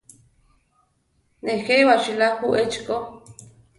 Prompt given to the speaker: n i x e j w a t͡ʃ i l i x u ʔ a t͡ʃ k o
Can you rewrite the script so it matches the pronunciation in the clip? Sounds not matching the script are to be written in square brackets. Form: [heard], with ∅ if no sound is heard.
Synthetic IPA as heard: n [e] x e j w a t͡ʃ i l [a] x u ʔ [e] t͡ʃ k o